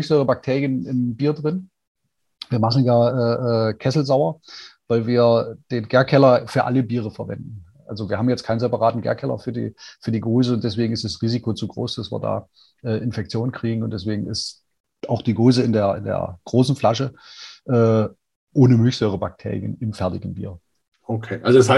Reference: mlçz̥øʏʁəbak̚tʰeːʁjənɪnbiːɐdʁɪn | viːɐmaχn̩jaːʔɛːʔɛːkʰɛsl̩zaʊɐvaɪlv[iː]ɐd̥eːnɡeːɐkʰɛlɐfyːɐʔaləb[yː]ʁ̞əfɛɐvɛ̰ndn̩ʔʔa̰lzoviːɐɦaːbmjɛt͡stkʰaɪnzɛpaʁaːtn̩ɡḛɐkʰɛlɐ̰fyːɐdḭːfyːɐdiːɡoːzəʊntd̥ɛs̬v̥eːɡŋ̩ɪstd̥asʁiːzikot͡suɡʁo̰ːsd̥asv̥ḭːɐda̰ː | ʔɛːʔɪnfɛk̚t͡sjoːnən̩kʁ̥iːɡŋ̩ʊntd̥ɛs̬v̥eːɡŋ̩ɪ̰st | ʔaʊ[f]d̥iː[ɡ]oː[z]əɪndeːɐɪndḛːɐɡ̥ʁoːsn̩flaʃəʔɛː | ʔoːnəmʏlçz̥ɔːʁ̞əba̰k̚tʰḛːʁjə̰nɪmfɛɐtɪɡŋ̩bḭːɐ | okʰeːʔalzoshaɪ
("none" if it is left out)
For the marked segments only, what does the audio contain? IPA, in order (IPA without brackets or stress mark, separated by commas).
iː, iː, x, ɡ, z